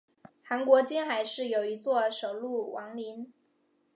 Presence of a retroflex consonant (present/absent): present